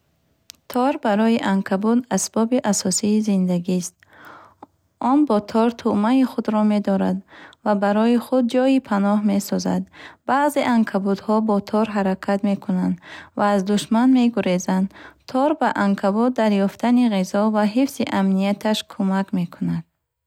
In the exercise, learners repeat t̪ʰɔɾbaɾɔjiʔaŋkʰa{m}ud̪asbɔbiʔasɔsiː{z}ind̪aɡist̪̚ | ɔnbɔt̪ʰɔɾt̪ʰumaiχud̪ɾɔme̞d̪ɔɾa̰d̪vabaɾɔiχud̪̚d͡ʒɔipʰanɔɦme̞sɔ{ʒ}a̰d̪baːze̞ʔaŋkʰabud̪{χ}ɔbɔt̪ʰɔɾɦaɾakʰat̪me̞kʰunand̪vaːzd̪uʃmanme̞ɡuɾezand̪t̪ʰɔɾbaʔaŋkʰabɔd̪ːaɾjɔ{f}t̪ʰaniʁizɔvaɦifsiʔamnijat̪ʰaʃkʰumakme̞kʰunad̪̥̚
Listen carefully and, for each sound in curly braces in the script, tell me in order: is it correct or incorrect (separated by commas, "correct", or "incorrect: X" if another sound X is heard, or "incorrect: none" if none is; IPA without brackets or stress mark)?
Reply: incorrect: b, correct, incorrect: z, incorrect: h, correct